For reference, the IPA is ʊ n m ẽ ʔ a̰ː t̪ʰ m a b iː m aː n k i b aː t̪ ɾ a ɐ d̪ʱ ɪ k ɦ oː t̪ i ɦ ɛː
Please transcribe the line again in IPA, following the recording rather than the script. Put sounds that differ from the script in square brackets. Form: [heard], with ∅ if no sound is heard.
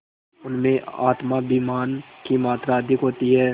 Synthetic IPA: ʊ n m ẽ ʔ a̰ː [t̪] m a b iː m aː n k i [m] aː t̪ ɾ a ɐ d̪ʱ ɪ k ɦ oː t̪ i ɦ ɛː